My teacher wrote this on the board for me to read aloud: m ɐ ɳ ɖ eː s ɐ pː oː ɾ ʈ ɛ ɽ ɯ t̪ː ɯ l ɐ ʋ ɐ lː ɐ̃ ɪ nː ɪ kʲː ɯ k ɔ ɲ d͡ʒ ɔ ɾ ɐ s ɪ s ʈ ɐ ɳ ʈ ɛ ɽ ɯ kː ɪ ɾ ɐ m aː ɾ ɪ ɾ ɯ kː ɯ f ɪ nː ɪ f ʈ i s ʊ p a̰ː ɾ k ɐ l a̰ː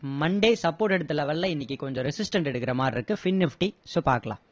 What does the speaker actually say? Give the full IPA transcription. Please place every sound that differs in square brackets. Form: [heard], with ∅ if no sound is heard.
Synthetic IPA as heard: m ɐ ɳ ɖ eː s ɐ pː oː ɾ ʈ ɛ ɽ ɯ t̪ː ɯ l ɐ ʋ ɐ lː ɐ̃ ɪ nː ɪ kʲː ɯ k ɔ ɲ d͡ʒ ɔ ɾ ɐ s ɪ s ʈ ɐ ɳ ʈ ɛ ɽ ɯ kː ɪ ɾ ɐ m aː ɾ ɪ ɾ ɯ kː ɯ f ɪ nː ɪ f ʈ i s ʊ p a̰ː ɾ k ɐ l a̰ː